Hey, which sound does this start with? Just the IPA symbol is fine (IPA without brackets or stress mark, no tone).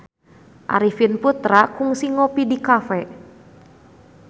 ʔ